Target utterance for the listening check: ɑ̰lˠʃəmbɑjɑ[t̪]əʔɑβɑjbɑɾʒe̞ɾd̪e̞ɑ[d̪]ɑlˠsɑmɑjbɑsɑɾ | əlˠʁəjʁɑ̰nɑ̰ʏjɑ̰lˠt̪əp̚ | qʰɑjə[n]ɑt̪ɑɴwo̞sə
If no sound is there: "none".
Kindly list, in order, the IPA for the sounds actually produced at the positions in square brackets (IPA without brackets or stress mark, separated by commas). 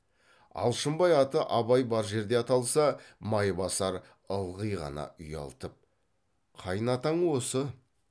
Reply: t̪, t̪, n